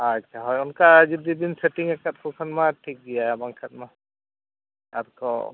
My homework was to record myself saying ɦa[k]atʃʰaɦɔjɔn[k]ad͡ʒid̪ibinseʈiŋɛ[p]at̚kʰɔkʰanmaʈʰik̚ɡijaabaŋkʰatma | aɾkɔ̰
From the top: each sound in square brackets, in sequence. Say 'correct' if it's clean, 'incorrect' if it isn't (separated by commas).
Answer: incorrect, correct, incorrect